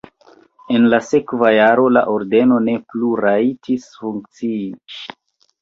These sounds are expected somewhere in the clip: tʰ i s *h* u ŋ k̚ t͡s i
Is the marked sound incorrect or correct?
incorrect